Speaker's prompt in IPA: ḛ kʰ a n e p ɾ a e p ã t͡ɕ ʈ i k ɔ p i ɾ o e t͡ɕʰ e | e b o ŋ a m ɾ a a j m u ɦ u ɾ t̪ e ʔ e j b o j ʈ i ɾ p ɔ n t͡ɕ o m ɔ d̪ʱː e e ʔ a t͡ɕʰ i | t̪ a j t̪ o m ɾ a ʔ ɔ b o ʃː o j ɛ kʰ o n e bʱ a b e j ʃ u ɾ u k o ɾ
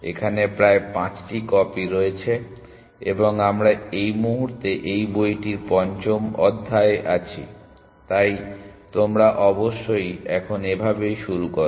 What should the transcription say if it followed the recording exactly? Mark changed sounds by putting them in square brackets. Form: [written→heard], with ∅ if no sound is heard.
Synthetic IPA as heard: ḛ kʰ a n e p ɾ a e p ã t͡ɕ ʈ i k ɔ p i ɾ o e t͡ɕʰ e | e b o ŋ a m ɾ a [a→e] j m u ɦ u ɾ t̪ e ʔ e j b o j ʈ i ɾ p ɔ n t͡ɕ o m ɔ d̪ʱː [e→a] e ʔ a t͡ɕʰ i | t̪ a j t̪ o m ɾ a ʔ ɔ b o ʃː o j ɛ kʰ o n e bʱ a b e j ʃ u ɾ u k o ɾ